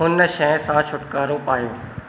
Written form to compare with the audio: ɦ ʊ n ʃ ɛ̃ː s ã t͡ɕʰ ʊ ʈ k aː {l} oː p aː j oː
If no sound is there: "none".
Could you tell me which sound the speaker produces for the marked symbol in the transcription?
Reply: ɾ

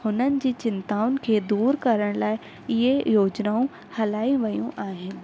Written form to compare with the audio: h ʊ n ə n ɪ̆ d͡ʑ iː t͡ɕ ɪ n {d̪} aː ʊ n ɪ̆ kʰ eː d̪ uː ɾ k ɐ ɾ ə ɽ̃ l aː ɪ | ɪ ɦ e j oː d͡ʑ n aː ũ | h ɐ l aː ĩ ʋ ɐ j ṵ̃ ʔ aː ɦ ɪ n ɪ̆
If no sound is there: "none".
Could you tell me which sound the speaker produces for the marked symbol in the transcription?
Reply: t̪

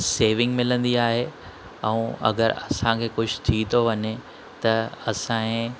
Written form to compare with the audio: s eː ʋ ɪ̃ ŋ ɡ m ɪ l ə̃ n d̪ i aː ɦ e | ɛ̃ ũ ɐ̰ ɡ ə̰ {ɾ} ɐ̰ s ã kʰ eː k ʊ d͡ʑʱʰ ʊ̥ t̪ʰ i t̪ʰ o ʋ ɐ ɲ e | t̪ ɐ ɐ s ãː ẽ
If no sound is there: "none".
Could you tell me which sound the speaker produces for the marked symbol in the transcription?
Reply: ɾ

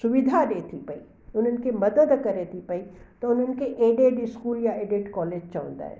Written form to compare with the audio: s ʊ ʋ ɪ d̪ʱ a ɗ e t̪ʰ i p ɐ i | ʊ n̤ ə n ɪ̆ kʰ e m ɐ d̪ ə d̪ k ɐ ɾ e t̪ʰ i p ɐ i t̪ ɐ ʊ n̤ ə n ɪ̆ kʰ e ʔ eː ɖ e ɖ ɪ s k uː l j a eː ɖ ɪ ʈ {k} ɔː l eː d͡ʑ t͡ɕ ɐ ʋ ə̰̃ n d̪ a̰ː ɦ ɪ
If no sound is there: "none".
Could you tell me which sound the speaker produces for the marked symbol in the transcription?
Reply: k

